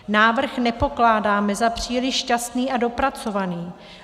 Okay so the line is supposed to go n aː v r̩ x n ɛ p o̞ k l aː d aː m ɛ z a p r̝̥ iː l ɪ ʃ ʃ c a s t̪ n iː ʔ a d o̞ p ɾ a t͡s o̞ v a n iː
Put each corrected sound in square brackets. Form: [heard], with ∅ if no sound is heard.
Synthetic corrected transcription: n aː v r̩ x n ɛ p o̞ k l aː d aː m ɛ z a p r̝̥ iː l ɪ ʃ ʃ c a s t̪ n iː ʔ a d o̞ p ɾ a t͡s o̞ v a n iː